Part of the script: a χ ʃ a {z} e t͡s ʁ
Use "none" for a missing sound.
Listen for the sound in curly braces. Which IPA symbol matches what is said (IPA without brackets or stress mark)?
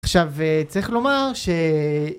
v